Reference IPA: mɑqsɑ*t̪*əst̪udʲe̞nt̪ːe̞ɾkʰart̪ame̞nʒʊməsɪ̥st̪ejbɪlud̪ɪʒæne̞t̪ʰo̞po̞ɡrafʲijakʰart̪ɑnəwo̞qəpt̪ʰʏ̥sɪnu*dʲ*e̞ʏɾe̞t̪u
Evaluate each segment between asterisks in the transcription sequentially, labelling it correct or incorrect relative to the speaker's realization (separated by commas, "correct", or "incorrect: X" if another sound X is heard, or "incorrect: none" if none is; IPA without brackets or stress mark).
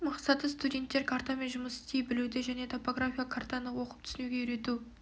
correct, incorrect: ɡʲ